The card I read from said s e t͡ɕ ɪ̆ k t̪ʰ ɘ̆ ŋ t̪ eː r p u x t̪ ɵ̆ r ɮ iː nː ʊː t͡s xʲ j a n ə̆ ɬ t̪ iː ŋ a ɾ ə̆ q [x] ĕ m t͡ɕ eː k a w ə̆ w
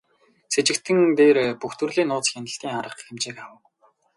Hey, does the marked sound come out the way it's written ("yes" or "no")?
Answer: yes